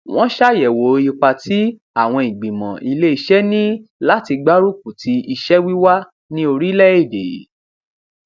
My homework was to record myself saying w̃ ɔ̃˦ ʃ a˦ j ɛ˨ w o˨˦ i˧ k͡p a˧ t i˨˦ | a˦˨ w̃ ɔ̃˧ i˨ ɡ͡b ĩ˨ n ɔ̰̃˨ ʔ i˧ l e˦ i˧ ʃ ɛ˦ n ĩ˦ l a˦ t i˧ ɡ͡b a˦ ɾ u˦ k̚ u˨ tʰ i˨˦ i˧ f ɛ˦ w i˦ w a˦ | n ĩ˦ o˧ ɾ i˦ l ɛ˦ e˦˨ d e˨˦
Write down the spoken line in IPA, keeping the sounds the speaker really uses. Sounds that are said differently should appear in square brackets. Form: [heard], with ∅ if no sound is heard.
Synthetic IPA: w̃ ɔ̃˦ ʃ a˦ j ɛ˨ w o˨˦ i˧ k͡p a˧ t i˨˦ | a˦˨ w̃ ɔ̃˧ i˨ ɡ͡b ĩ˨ [m] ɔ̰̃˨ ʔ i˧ l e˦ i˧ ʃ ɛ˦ n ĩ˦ l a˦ t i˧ ɡ͡b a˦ ɾ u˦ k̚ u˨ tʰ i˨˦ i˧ [ʃ] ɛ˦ w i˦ w a˦ | n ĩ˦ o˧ ɾ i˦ l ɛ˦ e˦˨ d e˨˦

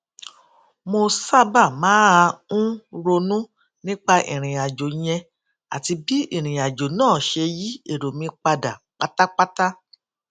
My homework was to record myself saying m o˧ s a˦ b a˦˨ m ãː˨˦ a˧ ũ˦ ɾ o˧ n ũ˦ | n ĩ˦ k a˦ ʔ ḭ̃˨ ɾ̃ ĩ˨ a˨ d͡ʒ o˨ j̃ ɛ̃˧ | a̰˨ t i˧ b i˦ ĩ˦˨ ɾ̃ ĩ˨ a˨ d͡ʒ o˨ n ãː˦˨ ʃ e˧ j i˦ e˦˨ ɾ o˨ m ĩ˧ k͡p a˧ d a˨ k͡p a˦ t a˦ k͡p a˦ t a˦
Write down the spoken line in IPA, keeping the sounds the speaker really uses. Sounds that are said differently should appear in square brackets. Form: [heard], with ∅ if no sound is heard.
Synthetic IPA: m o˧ s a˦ b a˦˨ m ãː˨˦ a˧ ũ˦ ɾ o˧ n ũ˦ | n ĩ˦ [k͡p] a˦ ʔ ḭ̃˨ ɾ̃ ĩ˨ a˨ d͡ʒ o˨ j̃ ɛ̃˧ | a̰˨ t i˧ b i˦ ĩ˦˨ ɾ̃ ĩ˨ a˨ d͡ʒ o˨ n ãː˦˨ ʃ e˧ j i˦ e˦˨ ɾ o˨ m ĩ˧ k͡p a˧ d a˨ k͡p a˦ t a˦ k͡p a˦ t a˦

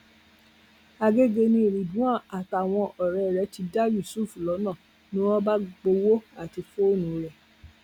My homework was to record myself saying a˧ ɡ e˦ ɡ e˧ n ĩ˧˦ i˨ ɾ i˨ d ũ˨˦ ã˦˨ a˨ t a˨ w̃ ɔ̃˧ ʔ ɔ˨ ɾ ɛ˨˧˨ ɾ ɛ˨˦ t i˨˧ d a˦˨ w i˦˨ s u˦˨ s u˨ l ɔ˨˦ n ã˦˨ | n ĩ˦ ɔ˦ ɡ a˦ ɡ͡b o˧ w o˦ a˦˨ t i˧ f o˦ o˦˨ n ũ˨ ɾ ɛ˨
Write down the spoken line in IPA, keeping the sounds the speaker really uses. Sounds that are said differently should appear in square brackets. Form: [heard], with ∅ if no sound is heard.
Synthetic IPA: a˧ ɡ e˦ ɡ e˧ n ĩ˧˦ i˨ ɾ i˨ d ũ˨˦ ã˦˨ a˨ t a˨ w̃ ɔ̃˧ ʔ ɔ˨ ɾ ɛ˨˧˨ ɾ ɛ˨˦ t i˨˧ d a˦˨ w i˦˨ s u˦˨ [f] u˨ l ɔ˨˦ n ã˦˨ | n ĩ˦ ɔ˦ [b] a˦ ɡ͡b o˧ w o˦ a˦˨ t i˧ f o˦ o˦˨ n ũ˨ ɾ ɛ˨

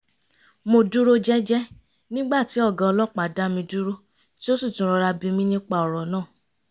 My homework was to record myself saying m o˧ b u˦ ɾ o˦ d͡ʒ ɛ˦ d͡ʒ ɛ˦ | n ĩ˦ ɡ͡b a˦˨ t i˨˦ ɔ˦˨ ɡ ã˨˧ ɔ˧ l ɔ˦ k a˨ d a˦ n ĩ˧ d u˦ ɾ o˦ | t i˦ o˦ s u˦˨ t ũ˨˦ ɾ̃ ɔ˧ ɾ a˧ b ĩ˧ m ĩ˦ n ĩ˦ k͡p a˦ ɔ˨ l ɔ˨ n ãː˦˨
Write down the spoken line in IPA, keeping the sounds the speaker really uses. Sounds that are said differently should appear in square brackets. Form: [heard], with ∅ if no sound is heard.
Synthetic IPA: m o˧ [d] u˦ ɾ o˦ d͡ʒ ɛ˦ d͡ʒ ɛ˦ | n ĩ˦ ɡ͡b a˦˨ t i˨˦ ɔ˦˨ ɡ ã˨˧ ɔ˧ l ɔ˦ [k͡p] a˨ d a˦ [m] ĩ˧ d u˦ ɾ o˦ | t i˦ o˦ s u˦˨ t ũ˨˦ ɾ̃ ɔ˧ ɾ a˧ b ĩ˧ m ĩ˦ n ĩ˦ k͡p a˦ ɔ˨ [ɾ] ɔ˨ n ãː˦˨

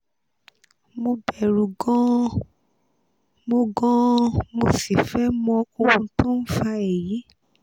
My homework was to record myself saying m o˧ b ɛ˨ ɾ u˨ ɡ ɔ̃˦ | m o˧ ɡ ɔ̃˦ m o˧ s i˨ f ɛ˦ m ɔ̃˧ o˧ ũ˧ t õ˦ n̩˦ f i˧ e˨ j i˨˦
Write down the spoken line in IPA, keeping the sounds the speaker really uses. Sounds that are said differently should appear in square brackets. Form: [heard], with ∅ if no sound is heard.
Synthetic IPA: m o˧ b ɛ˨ ɾ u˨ ɡ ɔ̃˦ | m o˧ ɡ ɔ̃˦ m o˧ s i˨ f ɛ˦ m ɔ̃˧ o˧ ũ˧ t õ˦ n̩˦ f [a˧] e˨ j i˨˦

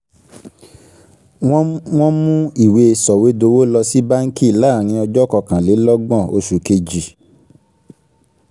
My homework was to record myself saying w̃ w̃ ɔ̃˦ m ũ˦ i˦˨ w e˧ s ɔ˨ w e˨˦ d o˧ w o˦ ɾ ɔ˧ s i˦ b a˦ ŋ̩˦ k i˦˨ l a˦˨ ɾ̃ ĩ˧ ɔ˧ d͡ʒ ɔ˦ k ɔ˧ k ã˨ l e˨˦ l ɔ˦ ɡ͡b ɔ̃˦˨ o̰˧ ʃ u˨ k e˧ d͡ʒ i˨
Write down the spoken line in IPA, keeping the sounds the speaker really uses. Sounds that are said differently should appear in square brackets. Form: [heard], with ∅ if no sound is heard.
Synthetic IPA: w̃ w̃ ɔ̃˦ m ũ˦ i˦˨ w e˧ s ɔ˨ w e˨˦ d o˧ w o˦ [l] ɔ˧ s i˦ b a˦ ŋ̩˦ k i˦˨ l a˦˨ ɾ̃ ĩ˧ ɔ˧ d͡ʒ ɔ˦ k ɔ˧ k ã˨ l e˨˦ l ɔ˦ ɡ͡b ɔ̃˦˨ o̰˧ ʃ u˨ k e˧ d͡ʒ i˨

